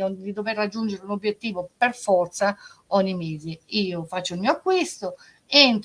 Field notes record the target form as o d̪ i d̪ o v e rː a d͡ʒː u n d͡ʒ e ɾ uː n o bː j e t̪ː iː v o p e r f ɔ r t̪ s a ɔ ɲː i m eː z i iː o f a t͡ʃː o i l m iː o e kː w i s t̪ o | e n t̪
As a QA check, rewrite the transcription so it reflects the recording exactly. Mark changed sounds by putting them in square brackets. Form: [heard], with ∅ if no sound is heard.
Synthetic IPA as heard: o d̪ i d̪ o v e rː a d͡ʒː u n d͡ʒ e ɾ [u] n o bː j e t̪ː iː v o p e r f ɔ r t̪ s a ɔ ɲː i m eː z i iː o f a t͡ʃː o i l m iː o [a] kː w i s t̪ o | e n t̪